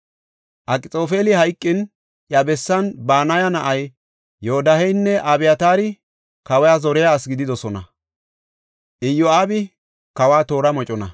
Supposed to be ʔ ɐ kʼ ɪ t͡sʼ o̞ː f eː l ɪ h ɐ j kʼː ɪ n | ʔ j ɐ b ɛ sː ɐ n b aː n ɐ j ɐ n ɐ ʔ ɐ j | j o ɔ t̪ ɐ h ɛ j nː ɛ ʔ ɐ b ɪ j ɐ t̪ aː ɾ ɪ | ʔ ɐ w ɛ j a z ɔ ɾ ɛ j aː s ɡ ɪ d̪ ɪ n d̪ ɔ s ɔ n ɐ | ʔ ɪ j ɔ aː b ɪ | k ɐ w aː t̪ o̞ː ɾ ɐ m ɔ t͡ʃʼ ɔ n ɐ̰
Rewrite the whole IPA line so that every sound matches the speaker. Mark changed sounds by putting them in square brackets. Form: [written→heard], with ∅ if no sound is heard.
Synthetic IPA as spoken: ʔ ɐ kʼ ɪ t͡sʼ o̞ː f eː l ɪ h ɐ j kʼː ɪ n | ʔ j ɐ b ɛ sː ɐ n b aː n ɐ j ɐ n ɐ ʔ ɐ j | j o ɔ [t̪→d̪] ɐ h ɛ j nː ɛ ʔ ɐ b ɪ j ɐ t̪ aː ɾ ɪ | [ʔ→k] ɐ w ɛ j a z ɔ ɾ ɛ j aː s ɡ ɪ d̪ ɪ [n→∅] d̪ ɔ s ɔ n ɐ | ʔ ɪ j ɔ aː b ɪ | k ɐ w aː t̪ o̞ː ɾ ɐ m ɔ t͡ʃʼ ɔ n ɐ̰